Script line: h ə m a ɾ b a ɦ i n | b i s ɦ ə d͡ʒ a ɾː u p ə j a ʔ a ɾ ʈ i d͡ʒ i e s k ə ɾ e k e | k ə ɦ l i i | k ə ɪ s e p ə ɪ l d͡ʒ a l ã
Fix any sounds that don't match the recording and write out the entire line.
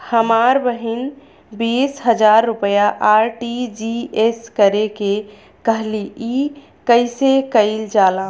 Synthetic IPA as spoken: h ə m a ɾ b ə ɦ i n | b i s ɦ ə d͡ʒ a ɾː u p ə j a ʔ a ɾ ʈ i d͡ʒ i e s k ə ɾ e k e | k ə ɦ l i i | k ə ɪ s e k ə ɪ l d͡ʒ a l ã